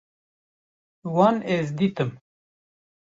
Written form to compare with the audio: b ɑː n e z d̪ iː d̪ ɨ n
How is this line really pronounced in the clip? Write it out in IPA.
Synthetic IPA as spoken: w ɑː n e z d̪ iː t̪ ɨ m